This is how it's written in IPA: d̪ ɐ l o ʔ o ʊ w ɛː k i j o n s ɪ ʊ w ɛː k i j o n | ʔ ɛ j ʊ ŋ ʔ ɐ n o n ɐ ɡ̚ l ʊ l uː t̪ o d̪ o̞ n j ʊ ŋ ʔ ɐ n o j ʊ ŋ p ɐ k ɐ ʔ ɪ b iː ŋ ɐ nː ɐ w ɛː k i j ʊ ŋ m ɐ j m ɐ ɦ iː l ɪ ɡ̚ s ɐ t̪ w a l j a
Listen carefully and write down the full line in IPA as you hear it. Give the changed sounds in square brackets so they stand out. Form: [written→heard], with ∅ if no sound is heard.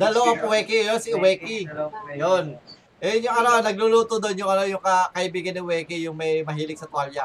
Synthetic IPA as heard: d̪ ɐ l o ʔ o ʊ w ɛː k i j o n s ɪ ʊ w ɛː k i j o n | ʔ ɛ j ʊ ŋ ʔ ɐ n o n ɐ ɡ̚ l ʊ l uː t̪ o d̪ o̞ n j ʊ ŋ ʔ ɐ n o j ʊ ŋ [p→k] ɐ k ɐ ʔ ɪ b iː [ŋ→ɡ] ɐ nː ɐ w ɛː k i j ʊ ŋ m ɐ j m ɐ ɦ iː l ɪ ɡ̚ s ɐ t̪ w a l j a